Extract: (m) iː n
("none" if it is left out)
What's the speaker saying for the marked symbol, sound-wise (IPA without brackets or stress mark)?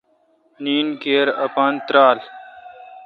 n